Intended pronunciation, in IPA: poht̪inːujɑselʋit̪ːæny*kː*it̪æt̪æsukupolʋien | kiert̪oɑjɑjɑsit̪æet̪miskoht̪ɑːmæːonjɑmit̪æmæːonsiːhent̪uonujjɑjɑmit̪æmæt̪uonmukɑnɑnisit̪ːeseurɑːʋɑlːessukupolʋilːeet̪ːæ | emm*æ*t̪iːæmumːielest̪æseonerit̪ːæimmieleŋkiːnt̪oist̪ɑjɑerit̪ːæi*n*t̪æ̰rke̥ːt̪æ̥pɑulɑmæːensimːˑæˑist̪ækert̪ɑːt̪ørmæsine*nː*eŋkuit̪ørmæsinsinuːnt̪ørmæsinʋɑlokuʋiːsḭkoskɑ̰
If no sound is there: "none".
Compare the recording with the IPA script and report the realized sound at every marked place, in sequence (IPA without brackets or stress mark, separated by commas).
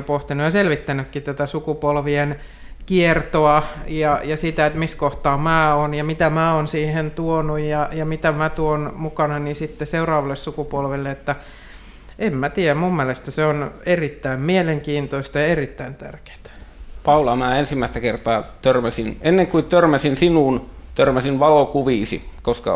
kː, æ, n, nː